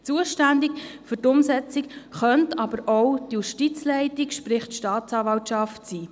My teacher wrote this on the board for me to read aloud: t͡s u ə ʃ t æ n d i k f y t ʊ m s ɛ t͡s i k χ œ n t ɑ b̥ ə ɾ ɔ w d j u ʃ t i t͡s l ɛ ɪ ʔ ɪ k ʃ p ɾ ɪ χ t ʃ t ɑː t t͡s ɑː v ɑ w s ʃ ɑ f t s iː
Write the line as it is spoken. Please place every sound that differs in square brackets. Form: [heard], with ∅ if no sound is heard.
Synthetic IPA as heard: t͡s u ə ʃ t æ n d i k f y t ʊ m s ɛ t͡s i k χ œ n t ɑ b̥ ə ɾ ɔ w d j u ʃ t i t͡s l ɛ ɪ [t] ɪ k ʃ p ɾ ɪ χ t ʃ t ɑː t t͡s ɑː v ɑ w [t] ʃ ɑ f t s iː